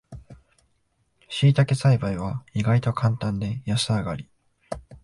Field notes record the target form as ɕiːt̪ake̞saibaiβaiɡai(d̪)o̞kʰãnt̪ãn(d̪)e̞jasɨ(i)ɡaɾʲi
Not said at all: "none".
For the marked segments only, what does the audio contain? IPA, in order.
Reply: t̪, d̪, a

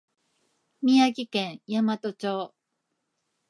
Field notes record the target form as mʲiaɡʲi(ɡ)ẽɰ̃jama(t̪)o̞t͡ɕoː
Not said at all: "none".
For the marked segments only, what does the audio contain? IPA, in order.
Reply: k, t̪

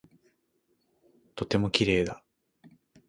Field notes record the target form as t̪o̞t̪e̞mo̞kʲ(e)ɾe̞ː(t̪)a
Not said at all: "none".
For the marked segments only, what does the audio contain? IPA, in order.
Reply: i, d̪

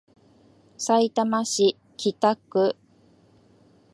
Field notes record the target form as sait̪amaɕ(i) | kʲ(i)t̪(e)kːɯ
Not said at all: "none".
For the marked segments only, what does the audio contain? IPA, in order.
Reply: i, i, a

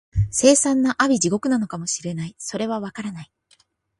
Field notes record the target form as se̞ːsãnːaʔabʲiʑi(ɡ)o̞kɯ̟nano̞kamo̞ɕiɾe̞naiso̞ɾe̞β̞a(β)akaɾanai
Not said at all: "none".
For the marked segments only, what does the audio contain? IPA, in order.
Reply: ɡ, β

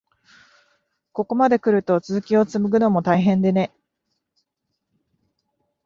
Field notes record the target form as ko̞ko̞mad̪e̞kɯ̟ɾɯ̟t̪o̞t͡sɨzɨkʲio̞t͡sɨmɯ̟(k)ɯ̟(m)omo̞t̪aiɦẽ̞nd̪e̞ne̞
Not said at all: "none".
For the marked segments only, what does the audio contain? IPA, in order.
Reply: ɡ, n

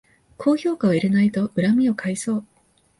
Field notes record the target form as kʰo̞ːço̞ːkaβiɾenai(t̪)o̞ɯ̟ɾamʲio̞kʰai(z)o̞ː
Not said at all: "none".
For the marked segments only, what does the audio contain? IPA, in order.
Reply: t̪, s

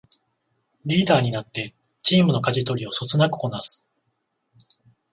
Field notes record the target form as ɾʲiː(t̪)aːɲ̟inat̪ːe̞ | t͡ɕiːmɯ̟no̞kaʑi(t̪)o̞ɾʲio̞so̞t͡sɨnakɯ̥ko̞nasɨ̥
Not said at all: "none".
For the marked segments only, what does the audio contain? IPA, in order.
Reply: d̪, t̪

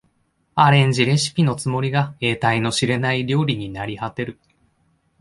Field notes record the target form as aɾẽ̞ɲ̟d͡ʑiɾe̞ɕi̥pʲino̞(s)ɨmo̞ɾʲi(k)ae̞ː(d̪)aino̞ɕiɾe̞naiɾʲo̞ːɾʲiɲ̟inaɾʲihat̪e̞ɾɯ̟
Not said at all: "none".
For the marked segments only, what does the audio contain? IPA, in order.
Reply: t͡s, ɡ, t̪

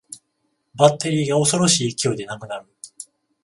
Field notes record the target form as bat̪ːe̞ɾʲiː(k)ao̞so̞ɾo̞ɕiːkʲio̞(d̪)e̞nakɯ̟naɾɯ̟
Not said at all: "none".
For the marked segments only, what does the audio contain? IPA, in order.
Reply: ɡ, d̪

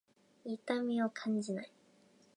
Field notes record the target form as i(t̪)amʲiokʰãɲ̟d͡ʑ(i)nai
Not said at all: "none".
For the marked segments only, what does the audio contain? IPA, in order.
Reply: t̪, i

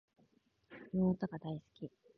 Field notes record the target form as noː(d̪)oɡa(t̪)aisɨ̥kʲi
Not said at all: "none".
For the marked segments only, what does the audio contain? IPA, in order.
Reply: t̪, d̪

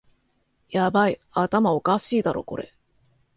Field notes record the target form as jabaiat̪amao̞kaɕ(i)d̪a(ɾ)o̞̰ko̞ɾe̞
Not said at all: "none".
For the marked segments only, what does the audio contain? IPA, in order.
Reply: iː, ɾ

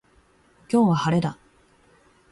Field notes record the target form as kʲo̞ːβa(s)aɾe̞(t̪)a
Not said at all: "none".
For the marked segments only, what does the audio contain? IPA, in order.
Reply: h, d̪

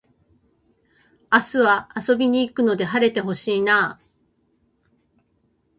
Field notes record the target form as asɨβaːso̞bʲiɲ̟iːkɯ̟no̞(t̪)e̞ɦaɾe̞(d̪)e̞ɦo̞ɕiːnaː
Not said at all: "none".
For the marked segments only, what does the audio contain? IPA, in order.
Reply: d̪, t̪

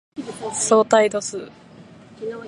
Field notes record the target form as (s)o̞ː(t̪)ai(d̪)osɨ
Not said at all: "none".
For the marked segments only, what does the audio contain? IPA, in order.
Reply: s, t̪, d̪

